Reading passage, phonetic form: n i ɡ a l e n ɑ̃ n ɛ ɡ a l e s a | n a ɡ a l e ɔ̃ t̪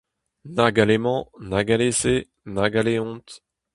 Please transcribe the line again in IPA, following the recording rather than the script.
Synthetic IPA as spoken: n a ɡ a l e m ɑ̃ n a ɡ a l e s e | n a ɡ a l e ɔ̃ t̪